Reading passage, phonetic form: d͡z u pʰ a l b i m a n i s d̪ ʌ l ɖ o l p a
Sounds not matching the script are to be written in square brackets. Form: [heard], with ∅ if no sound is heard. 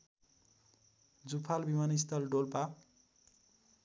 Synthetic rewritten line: d͡z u pʰ a l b i m a n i s [t̪] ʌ l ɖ o l p a